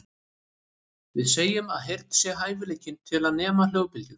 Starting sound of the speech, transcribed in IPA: v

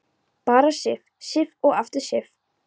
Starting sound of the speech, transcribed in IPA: p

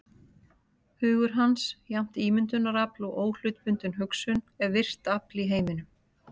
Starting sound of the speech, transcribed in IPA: h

